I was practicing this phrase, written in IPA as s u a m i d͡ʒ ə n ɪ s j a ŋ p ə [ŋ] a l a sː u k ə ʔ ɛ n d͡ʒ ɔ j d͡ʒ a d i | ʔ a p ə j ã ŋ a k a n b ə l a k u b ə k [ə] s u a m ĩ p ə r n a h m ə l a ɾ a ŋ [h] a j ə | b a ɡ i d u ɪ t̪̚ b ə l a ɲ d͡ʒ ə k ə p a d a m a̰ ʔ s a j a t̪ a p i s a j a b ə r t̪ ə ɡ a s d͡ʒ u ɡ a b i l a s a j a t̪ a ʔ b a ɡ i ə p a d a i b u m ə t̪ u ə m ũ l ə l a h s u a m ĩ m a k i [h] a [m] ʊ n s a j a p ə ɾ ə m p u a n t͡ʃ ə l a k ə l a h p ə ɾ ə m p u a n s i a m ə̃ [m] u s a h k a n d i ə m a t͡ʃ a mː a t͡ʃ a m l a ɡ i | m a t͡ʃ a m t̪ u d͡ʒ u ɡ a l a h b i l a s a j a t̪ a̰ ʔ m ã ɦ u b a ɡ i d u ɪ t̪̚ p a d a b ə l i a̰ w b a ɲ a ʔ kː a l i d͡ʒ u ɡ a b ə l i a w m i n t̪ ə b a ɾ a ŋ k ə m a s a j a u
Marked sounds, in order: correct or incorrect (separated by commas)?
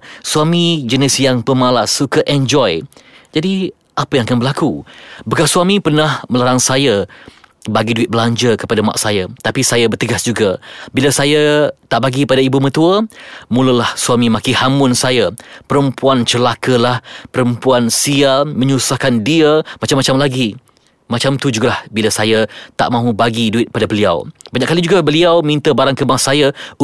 incorrect, incorrect, incorrect, correct, correct, incorrect